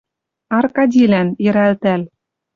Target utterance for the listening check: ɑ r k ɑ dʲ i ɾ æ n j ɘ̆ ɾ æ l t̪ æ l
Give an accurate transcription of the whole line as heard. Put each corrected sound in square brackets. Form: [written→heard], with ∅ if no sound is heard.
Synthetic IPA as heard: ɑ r k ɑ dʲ i [ɾ→l] æ n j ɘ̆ ɾ æ l t̪ æ l

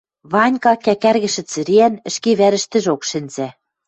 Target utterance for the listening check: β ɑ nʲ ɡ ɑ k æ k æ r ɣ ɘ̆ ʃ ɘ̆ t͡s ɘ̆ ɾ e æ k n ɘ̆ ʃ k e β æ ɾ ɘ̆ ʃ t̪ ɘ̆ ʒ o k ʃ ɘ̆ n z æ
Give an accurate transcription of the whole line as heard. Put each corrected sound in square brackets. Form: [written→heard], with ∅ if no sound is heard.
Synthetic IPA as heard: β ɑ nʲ [ɡ→k] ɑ k æ k æ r ɣ ɘ̆ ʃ ɘ̆ t͡s ɘ̆ ɾ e æ [k→∅] n ɘ̆ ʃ k e β æ ɾ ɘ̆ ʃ t̪ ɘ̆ ʒ o k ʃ ɘ̆ n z æ

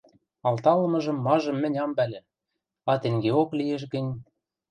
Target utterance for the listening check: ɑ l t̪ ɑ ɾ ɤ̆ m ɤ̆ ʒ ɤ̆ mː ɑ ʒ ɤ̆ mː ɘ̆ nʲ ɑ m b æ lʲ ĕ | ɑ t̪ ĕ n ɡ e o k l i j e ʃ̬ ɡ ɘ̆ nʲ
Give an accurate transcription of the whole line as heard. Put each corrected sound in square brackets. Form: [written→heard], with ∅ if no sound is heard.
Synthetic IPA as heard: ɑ l t̪ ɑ [ɾ→l] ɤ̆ m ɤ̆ ʒ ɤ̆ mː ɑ ʒ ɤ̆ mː ɘ̆ nʲ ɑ m b æ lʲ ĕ | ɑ t̪ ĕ [n→ŋ] ɡ e o k l i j e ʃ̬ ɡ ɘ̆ nʲ

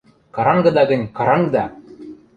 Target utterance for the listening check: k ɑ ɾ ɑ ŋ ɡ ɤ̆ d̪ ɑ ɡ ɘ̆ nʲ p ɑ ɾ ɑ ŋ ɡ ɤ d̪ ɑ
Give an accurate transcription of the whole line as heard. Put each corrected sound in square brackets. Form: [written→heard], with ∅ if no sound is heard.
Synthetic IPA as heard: k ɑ ɾ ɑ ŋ ɡ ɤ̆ d̪ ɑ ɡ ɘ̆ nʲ [p→k] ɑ ɾ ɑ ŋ ɡ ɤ d̪ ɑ

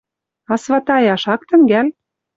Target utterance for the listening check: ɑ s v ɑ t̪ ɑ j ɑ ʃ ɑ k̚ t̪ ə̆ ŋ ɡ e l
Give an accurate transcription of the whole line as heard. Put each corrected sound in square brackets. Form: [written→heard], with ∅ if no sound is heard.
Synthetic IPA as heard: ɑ s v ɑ t̪ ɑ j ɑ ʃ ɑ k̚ t̪ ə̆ ŋ ɡ [e→æ] l

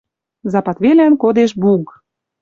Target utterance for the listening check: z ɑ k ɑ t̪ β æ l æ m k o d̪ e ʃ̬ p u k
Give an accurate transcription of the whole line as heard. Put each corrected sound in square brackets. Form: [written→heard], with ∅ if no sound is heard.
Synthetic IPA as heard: z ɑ [k→p] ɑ t̪ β [æ→e] l æ [m→n] k o d̪ e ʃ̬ [p→b] u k

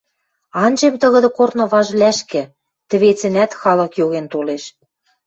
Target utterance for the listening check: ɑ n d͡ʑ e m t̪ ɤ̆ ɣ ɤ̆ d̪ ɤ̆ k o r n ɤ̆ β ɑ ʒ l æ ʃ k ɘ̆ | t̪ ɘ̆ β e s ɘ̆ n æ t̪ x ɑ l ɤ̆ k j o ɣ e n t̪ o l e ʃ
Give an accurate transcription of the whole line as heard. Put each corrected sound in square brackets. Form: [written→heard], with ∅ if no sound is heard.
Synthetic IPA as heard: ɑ n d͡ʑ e m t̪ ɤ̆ ɣ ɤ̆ d̪ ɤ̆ k o r n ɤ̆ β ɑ ʒ l æ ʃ k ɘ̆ | t̪ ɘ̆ β e [s→t͡s] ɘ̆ n æ t̪ x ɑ l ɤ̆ k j o ɣ e n t̪ o l e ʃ

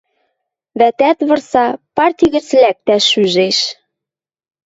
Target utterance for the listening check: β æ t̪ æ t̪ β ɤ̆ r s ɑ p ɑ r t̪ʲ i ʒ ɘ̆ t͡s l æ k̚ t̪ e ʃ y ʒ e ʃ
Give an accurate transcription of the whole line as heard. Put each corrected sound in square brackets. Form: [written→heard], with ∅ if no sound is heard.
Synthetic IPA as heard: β æ t̪ æ t̪ β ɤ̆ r s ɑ p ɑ r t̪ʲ i [ʒ→ɣ] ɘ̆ t͡s l æ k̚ t̪ [e→æ] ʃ y ʒ e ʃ

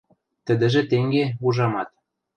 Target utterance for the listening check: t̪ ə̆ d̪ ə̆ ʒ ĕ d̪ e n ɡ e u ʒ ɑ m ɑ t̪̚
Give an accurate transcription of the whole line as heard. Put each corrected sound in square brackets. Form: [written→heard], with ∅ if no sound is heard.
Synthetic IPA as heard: t̪ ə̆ d̪ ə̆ ʒ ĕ [d̪→t̪] e [n→ŋ] ɡ e u ʒ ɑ m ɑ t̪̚

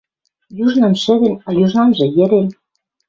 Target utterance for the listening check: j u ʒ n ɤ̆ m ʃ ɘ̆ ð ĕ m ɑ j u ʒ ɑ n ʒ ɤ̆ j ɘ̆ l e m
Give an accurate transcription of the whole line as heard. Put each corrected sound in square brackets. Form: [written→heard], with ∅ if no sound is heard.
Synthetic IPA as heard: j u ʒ n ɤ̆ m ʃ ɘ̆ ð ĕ [m→n] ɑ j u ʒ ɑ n ʒ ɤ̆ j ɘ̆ [l→ɾ] e [m→n]

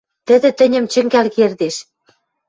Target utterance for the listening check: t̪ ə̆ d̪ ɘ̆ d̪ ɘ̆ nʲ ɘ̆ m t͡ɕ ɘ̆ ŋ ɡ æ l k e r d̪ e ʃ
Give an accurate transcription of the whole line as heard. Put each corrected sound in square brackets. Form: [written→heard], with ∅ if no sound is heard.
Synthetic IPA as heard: t̪ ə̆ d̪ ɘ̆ [d̪→t̪] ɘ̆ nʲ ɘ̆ m t͡ɕ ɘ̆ ŋ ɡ æ l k e r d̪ e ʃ

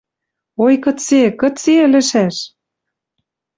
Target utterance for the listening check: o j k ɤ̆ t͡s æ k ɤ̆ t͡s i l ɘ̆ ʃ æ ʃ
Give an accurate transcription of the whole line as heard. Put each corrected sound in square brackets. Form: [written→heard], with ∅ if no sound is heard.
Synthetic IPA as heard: o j k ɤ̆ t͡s [æ→e] k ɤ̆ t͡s [i→e] l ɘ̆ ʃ æ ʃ

